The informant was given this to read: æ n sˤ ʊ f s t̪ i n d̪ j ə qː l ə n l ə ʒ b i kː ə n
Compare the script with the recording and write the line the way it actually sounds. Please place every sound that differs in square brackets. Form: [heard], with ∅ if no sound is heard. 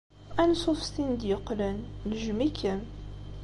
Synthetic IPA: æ n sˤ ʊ f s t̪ i n d̪ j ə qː l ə n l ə ʒ [m] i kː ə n